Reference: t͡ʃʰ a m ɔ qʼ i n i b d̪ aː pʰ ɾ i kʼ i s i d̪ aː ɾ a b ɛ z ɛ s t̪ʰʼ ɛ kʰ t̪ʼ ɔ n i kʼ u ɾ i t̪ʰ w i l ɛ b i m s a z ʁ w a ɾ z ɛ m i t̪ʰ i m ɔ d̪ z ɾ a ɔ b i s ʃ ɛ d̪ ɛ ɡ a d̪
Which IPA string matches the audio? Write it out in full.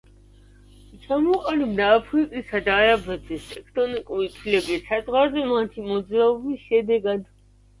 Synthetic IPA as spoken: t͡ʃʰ a m ɔ qʼ a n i b d̪ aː pʰ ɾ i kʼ i s a d̪ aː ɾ a b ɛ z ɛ s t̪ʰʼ ɛ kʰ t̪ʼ ɔ n i kʼ u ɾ i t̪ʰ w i l ɛ b i s a z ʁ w a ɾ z ɛ m a t̪ʰ i m ɔ d̪ z ɾ a ɔ b i s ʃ ɛ d̪ ɛ ɡ a d̪